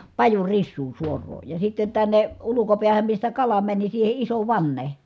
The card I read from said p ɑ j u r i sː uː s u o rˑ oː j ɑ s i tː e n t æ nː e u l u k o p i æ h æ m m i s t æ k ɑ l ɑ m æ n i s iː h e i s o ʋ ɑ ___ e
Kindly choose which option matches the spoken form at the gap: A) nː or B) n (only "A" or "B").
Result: A